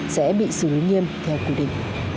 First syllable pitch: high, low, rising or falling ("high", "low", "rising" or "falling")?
rising